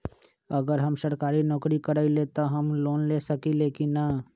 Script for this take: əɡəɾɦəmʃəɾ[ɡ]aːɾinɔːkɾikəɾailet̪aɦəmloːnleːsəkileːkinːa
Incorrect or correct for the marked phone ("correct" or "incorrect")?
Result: incorrect